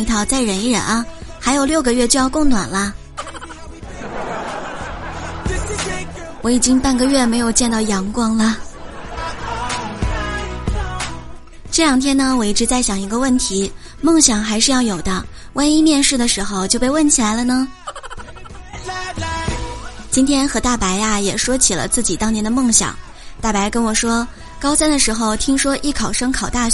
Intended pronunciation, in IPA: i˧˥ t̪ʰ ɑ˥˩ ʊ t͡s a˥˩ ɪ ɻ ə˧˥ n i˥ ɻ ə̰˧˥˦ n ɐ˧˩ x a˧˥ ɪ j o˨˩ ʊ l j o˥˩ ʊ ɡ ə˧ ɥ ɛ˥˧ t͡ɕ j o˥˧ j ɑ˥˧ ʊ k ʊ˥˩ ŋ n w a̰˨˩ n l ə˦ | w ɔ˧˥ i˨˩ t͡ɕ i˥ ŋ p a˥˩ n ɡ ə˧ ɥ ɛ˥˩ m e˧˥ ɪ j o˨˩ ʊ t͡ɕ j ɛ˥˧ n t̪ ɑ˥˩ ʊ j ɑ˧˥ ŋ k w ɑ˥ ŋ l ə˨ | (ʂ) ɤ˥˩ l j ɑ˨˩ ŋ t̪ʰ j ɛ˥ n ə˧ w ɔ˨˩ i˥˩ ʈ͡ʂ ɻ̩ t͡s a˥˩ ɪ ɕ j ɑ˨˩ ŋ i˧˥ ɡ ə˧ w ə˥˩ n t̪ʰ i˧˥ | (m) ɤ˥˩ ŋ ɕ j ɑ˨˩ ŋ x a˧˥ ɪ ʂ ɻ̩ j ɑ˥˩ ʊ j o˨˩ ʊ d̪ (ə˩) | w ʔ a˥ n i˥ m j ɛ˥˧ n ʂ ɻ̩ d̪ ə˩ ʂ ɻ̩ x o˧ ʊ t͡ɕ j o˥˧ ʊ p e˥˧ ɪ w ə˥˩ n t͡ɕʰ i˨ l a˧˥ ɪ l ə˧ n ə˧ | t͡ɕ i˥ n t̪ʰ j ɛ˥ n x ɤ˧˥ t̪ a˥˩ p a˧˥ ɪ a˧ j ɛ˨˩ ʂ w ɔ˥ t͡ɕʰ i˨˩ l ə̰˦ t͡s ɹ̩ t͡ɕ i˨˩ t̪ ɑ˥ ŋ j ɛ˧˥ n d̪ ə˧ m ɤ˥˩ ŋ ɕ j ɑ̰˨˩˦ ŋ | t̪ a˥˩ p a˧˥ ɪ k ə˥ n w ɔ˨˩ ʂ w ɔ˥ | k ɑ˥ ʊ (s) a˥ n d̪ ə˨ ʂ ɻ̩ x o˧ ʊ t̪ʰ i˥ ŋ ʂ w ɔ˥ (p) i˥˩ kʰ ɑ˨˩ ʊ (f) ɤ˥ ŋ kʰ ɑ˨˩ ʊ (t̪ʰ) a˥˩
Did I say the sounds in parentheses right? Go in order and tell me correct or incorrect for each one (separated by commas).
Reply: incorrect, correct, incorrect, correct, incorrect, incorrect, incorrect